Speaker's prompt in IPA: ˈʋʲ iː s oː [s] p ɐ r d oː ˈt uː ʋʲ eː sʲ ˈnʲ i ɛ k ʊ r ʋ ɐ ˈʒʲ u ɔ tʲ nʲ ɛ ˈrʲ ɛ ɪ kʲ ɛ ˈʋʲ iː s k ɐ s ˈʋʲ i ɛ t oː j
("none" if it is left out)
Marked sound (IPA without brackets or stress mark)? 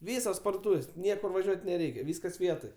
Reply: s